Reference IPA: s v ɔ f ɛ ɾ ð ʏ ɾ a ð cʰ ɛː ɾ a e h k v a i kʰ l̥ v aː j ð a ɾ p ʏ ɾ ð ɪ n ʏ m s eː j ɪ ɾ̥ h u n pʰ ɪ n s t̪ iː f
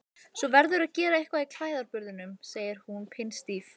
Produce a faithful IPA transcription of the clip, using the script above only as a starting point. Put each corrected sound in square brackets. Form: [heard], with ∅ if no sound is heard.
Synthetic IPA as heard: s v ɔ [v] ɛ ɾ ð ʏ ɾ a ð [c] ɛː ɾ a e h k v a i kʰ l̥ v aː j ð a ɾ p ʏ ɾ ð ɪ n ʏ m s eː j ɪ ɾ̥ h u n pʰ ɪ n s t̪ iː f